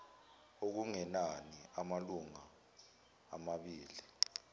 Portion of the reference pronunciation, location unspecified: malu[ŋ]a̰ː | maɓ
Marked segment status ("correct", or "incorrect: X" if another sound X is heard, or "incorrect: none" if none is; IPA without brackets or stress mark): correct